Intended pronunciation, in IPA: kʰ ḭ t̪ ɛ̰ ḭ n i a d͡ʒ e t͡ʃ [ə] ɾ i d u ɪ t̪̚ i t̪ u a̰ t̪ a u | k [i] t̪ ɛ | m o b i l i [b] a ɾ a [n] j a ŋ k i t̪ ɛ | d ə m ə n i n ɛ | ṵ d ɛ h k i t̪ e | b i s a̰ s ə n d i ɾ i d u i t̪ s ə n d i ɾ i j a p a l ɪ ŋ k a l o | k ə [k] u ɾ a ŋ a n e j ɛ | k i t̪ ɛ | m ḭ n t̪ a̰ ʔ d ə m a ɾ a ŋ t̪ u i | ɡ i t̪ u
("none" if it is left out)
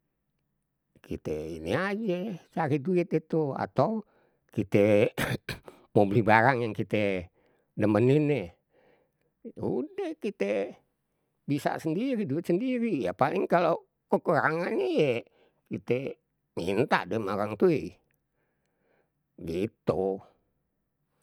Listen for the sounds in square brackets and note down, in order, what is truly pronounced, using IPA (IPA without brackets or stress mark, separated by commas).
a, i, b, ŋ, k